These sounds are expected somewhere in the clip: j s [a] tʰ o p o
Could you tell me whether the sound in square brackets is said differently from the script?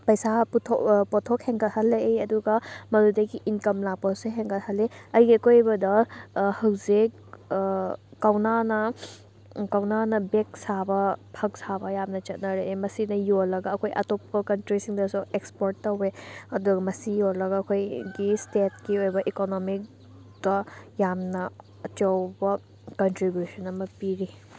no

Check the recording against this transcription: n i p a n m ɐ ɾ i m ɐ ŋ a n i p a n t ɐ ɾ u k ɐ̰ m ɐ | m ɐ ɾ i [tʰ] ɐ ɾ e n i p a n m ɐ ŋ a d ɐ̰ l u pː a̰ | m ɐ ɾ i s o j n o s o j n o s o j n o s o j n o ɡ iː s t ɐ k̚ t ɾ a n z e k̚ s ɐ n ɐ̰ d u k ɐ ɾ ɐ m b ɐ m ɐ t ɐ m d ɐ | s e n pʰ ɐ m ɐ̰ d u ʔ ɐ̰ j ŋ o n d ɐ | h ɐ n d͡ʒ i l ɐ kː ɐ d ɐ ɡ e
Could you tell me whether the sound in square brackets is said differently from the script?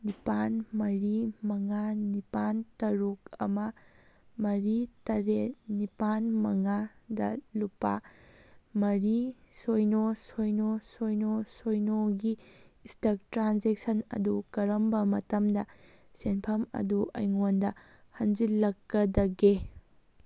yes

